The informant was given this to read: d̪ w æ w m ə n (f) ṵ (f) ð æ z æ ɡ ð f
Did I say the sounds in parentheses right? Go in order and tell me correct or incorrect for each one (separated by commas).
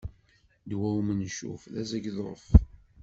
incorrect, correct